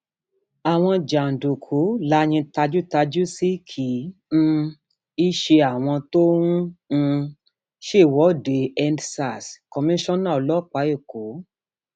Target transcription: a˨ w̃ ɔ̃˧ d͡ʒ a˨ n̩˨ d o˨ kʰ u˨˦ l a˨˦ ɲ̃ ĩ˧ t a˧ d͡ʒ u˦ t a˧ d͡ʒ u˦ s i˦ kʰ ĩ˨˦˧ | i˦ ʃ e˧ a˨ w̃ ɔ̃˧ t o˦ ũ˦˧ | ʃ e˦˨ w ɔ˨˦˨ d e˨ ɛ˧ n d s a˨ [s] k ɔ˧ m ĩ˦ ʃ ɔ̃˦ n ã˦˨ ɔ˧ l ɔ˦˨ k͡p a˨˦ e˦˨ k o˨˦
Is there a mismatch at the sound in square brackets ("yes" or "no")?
no